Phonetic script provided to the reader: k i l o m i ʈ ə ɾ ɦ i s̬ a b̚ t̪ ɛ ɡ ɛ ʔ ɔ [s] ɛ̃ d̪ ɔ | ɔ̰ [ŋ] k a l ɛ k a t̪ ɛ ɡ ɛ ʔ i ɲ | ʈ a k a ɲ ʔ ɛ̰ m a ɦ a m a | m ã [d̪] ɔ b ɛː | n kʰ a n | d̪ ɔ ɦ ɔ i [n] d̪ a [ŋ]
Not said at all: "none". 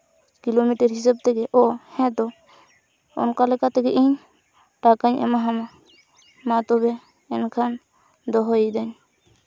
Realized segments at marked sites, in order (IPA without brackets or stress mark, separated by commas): h, n, t̪, none, ɲ